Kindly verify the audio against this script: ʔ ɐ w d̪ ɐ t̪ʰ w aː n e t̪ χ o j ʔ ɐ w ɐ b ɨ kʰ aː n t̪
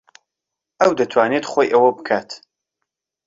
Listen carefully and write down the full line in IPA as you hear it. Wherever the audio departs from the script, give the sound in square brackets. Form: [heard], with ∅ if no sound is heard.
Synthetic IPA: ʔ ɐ w d̪ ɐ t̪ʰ w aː n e t̪ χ o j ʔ ɐ w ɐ b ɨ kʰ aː [∅] t̪